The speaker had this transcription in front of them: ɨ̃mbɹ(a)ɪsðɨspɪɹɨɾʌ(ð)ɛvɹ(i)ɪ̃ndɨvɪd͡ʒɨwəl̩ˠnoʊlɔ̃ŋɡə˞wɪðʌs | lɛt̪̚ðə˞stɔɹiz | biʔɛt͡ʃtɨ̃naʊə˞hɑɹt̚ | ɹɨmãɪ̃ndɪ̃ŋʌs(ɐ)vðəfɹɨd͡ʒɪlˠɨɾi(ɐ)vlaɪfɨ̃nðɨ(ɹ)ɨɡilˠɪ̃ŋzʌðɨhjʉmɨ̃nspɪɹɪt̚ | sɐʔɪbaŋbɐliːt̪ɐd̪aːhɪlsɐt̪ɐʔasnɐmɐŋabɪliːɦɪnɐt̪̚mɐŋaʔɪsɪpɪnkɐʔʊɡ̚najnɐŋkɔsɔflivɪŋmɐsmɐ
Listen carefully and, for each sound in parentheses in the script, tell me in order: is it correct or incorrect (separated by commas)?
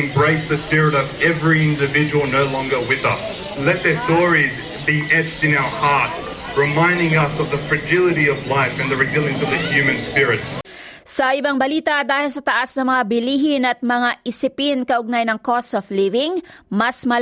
incorrect, incorrect, correct, incorrect, incorrect, correct